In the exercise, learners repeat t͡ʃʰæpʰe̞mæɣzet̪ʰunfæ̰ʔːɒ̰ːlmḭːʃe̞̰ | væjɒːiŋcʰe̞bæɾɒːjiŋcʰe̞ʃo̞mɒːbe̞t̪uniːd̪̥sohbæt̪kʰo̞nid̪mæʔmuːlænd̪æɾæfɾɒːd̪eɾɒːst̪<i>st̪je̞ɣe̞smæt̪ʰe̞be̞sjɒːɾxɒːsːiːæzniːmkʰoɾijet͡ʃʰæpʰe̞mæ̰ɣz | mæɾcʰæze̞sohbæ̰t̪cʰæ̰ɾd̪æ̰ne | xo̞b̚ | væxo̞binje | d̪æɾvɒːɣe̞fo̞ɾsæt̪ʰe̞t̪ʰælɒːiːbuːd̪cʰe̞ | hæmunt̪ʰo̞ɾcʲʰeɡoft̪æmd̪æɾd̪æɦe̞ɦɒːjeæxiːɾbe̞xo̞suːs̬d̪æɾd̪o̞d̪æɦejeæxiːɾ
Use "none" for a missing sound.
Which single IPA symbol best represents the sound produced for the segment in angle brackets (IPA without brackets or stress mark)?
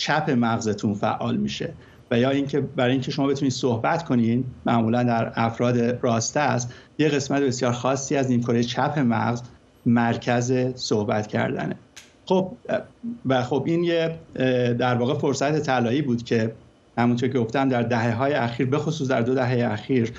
æ